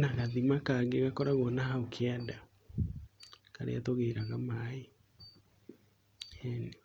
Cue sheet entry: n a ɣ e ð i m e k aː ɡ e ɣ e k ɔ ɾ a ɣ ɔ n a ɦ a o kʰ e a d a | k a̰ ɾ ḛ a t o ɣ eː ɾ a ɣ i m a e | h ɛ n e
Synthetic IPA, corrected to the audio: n a ɣ a ð i m a k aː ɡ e ɣ a k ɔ ɾ a ɣ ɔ n a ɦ a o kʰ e a d a | k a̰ ɾ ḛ a t o ɣ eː ɾ a ɣ a m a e | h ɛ n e